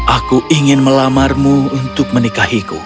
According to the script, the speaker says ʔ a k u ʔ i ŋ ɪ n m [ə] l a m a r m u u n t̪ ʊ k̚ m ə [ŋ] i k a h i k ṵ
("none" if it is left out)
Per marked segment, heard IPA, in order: ə, n

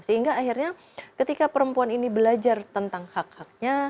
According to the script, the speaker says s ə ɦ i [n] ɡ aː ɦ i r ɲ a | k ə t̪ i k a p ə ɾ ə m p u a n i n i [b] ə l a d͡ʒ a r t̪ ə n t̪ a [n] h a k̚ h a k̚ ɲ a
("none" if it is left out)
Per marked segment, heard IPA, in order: ŋ, b, ŋ

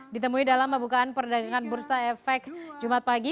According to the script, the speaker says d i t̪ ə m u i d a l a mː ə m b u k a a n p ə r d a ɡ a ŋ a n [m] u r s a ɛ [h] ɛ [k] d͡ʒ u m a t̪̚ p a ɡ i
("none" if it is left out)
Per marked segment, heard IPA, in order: b, f, k

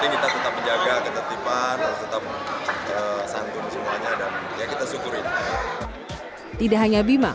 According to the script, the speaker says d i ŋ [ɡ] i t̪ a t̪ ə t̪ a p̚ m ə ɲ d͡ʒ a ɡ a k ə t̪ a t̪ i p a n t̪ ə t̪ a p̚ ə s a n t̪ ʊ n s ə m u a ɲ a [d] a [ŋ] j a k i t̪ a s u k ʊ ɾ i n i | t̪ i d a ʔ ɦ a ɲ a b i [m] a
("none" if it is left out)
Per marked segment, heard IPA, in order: k, d, n, m

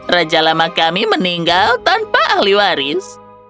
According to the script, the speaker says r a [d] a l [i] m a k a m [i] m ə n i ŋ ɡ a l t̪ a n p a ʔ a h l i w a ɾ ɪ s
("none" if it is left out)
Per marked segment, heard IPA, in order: d͡ʒ, a, i

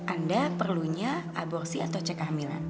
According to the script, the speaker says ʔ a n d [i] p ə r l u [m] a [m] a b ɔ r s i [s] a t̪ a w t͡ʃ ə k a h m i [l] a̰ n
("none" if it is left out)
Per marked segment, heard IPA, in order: a, ɲ, none, none, l

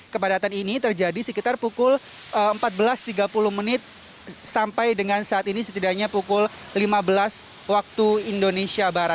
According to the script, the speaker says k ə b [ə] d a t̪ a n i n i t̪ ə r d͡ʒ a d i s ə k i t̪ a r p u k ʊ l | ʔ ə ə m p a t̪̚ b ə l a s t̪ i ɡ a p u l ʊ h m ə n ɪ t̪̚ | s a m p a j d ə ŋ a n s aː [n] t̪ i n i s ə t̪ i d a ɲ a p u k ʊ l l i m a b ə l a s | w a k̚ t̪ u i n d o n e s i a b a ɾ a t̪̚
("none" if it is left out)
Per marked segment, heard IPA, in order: a, none

